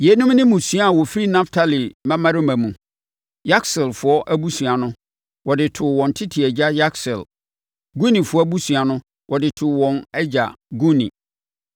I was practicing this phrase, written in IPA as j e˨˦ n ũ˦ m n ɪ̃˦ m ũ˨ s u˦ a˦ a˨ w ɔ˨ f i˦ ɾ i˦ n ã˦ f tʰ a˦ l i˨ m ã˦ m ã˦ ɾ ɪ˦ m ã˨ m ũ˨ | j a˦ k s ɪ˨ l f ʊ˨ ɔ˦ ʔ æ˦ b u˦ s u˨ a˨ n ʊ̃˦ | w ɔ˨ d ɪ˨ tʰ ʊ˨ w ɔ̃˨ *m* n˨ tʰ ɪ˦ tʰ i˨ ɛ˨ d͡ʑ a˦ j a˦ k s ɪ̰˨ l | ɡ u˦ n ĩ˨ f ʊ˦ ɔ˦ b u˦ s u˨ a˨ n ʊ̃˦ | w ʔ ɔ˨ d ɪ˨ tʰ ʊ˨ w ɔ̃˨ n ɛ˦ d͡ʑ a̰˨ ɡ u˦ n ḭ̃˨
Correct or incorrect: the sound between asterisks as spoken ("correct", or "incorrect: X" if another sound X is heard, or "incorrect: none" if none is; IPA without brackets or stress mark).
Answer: incorrect: none